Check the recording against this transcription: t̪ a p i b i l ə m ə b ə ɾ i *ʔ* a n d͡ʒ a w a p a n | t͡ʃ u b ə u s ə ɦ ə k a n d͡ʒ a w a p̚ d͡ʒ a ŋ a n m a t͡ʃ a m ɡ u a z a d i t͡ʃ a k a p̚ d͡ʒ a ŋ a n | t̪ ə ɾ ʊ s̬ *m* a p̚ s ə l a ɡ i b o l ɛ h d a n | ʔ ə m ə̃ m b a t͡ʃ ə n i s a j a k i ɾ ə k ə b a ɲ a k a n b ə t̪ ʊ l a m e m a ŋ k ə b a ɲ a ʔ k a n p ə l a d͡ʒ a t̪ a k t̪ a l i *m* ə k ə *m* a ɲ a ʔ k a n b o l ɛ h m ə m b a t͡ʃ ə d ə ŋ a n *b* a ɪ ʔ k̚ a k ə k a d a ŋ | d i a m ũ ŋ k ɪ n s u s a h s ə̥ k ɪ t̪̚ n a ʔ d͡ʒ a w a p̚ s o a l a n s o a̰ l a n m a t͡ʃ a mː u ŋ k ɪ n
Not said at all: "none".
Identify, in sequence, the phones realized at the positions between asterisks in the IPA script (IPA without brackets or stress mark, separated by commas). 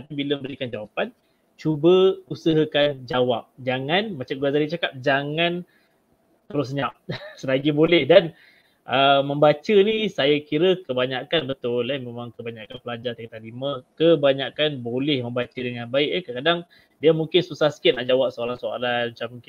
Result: k, ɲ, m, b, b